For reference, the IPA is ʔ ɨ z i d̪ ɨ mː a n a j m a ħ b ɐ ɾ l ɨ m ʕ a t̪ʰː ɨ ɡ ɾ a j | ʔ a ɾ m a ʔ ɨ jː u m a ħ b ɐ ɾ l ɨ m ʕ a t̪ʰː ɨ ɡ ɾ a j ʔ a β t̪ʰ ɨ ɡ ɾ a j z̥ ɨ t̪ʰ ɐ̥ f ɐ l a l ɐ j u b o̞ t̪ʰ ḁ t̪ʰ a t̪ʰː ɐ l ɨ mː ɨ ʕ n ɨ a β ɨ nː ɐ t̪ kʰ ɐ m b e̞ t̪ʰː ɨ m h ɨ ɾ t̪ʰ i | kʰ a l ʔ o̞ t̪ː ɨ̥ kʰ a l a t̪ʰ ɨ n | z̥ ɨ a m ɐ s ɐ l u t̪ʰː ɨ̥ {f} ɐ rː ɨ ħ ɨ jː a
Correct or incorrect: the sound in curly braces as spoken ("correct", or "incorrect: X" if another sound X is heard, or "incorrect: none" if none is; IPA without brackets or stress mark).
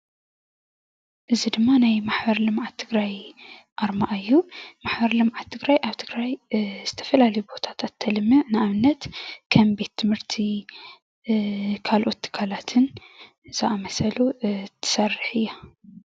incorrect: s